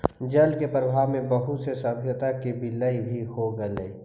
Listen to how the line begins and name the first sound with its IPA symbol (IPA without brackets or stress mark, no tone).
d͡ʒ